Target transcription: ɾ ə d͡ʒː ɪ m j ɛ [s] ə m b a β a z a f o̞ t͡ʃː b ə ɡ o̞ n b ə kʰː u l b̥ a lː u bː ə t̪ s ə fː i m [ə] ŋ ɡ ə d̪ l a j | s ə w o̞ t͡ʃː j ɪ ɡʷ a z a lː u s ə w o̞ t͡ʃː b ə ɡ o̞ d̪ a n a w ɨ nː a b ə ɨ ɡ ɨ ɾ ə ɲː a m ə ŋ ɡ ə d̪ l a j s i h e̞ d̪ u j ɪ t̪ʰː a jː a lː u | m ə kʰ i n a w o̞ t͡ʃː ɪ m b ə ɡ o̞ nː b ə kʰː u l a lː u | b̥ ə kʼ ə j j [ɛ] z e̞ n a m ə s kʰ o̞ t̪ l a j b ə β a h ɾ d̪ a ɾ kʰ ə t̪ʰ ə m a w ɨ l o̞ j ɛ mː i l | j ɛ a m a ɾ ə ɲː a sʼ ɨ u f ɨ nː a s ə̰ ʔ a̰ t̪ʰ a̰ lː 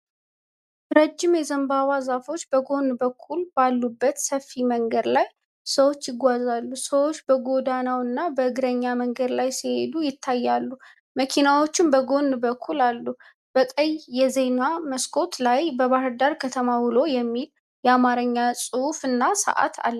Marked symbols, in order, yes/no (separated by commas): no, yes, yes